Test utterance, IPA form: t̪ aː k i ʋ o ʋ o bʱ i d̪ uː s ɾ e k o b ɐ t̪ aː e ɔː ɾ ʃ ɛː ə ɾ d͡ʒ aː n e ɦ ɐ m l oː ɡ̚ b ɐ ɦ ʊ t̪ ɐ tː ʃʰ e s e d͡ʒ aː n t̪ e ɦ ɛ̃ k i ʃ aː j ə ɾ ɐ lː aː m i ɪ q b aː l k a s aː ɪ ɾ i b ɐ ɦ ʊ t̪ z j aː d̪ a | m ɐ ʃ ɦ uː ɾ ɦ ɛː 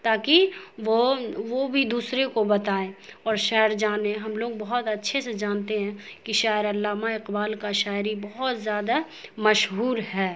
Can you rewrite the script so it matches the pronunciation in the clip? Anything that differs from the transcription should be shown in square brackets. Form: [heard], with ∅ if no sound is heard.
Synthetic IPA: t̪ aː k i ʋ o ʋ o bʱ i d̪ uː s ɾ e k o b ɐ t̪ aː e ɔː ɾ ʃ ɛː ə ɾ d͡ʒ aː n e ɦ ɐ m l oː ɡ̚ b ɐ ɦ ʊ t̪ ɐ tː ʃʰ e s e d͡ʒ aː n t̪ e ɦ ɛ̃ k i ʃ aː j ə ɾ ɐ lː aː m [a] ɪ q b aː l k a [ʃ] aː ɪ ɾ i b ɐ ɦ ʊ t̪ z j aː d̪ a | m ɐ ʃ ɦ uː ɾ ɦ ɛː